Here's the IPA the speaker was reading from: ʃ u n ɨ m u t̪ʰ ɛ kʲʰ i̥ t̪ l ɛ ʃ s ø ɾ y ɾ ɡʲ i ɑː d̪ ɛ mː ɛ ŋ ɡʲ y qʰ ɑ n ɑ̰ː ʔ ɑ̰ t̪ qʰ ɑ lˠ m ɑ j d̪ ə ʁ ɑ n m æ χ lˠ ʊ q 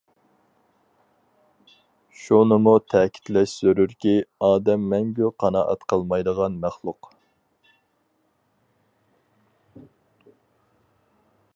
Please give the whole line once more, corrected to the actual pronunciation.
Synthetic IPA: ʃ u n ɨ m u t̪ʰ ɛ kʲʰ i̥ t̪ l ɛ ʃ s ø ɾ y ɾ kʲ i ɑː d̪ ɛ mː ɛ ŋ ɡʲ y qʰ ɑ n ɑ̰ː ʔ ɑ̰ t̪ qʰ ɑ lˠ m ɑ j d̪ ə ʁ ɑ n m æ χ lˠ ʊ q